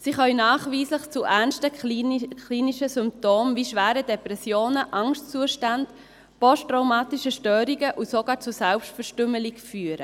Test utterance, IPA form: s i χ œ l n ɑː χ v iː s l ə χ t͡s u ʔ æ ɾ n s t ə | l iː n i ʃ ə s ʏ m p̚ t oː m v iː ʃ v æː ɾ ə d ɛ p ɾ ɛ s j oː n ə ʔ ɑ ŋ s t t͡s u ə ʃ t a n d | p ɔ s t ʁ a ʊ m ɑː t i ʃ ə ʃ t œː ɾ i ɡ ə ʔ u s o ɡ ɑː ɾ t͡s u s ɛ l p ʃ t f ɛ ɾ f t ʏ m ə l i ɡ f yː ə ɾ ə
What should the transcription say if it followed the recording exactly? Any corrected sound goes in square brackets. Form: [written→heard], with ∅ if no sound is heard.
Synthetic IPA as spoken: s i χ œ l n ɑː χ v iː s l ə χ t͡s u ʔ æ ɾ n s t ə | l iː n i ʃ ə s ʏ m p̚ t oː m v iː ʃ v æː ɾ ə d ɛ p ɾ ɛ s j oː n ə ʔ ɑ ŋ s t t͡s u ə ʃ t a n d | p ɔ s t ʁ a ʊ m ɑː t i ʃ ə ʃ t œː ɾ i ɡ ə ʔ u s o ɡ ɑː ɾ t͡s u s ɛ l p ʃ t f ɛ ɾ [f→ʃ] t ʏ m ə l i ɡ f yː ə ɾ ə